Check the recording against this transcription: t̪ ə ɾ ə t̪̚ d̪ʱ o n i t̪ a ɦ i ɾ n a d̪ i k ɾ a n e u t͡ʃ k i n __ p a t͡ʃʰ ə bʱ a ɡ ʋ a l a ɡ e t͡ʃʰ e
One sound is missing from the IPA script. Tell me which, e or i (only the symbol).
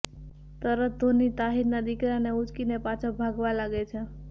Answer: e